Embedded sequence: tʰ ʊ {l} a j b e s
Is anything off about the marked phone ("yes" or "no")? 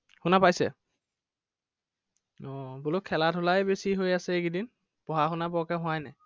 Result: no